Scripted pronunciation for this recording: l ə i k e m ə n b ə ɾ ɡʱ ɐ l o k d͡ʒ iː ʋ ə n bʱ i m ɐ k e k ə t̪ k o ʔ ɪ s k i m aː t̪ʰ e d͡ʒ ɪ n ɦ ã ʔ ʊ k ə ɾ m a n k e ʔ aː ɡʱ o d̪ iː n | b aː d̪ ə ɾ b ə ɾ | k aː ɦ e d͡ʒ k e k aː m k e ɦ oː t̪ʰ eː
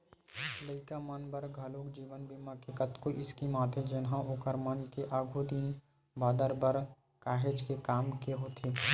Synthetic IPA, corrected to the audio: l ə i k a m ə n b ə ɾ ɡʱ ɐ l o k d͡ʒ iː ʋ ə n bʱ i m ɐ k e k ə t̪ k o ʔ ɪ s k i m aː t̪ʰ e d͡ʒ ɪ n ɦ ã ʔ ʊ k ə ɾ m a n k e ʔ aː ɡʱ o d̪ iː n | b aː d̪ ə ɾ b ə ɾ | k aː ɦ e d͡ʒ k e k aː m k e ɦ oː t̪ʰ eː